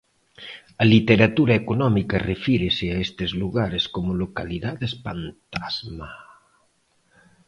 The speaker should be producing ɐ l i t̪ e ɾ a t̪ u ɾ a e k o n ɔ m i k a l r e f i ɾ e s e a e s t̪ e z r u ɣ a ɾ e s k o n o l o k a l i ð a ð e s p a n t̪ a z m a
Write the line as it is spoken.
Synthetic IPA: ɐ l i t̪ e ɾ a t̪ u ɾ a e k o n ɔ m i k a r e f i ɾ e s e a e s t̪ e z l u ɣ a ɾ e s k o m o l o k a l i ð a ð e s p a n t̪ a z m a